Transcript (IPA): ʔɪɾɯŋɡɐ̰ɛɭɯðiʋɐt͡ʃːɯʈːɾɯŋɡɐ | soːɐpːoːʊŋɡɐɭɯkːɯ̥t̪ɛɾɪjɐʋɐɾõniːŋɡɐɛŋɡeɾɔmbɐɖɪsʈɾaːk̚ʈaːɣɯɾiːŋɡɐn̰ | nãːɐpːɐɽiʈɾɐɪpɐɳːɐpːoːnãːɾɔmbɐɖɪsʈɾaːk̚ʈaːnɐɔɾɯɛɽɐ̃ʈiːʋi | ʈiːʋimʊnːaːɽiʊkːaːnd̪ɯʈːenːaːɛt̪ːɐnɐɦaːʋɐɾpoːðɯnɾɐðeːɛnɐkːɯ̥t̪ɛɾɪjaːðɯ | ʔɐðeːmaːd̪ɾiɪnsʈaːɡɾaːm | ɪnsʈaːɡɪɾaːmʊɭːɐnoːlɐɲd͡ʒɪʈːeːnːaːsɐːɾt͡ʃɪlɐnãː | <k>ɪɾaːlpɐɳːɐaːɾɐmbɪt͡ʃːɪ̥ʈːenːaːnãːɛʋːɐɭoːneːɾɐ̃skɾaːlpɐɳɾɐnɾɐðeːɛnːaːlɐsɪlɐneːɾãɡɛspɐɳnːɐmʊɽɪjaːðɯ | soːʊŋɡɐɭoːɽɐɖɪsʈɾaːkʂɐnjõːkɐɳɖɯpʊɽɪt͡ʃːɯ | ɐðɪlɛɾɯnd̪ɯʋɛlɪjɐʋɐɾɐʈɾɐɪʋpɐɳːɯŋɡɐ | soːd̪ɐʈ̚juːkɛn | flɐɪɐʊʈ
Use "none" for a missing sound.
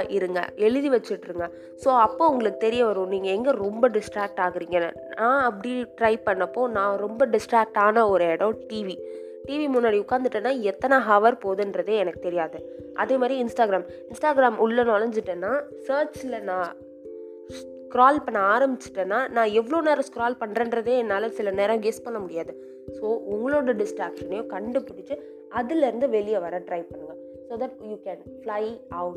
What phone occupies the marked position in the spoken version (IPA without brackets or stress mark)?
k